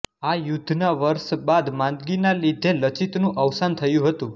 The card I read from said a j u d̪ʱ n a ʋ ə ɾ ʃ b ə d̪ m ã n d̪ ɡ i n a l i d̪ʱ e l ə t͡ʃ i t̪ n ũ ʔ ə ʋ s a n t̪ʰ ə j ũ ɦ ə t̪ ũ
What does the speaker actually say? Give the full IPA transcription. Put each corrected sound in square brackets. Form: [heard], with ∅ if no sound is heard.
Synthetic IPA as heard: a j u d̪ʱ n a ʋ ə ɾ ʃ b [a] d̪ m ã n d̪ ɡ i n a l i d̪ʱ e l ə t͡ʃ i t̪ n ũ ʔ ə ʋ s a n t̪ʰ ə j ũ ɦ ə t̪ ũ

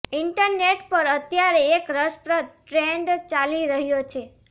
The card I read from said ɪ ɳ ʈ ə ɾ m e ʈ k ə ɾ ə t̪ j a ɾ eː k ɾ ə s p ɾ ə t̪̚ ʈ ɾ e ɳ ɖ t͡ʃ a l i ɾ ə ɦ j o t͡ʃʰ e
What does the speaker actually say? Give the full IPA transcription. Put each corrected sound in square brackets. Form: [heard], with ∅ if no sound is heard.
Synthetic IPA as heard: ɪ ɳ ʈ ə ɾ [n] e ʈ [p] ə ɾ ə t̪ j a ɾ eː k ɾ ə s p ɾ ə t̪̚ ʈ ɾ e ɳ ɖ t͡ʃ a l i ɾ ə ɦ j o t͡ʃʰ e

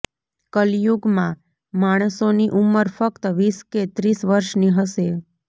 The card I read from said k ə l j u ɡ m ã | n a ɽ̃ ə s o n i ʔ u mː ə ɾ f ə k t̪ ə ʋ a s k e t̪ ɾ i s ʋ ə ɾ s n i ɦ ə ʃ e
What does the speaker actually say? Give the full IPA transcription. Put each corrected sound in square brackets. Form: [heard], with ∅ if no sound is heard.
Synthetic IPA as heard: k ə l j u ɡ m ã | [m] a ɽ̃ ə s o n i ʔ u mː ə ɾ f ə k t̪ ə ʋ [i] s k e t̪ ɾ i s ʋ ə ɾ [ʃ] n i ɦ ə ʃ e

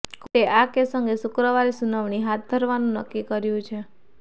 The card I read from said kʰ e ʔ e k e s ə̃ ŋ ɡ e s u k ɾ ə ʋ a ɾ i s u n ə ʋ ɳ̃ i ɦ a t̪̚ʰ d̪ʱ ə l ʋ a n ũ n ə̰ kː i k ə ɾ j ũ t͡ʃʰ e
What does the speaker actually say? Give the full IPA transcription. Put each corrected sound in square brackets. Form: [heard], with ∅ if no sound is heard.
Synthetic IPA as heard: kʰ e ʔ [a] k e s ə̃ ŋ ɡ e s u k ɾ ə ʋ a ɾ i s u n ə ʋ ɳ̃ i ɦ a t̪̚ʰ d̪ʱ ə [ɾ] ʋ a n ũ n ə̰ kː i k ə ɾ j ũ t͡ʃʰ e

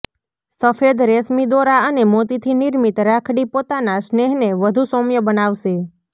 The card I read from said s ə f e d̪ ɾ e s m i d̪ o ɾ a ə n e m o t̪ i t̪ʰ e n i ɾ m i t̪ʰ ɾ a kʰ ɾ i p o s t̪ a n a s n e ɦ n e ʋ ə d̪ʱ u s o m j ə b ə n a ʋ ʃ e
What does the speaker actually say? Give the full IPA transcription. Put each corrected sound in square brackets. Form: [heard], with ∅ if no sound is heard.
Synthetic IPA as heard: s ə f e d̪ ɾ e s m i d̪ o ɾ a ə n e m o t̪ i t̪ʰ [i] n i ɾ m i [t̪] ɾ a kʰ [ɽ] i p o [∅] t̪ a n a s n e ɦ n e ʋ ə d̪ʱ u s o m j ə b ə n a ʋ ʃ e

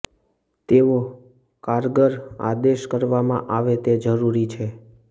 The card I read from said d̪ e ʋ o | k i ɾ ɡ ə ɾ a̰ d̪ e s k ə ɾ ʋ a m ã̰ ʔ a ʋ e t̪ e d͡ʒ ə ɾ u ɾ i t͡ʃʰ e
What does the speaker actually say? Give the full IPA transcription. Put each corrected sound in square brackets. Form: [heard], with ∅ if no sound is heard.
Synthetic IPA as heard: [t̪] e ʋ o | k [a] ɾ ɡ ə ɾ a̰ d̪ e [ʃ] k ə ɾ ʋ a m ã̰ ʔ a ʋ e t̪ e d͡ʒ ə ɾ u ɾ i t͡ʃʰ e

